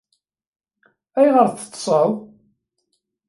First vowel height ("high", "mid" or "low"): low